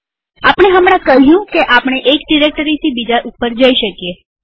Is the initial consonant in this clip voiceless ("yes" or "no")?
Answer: yes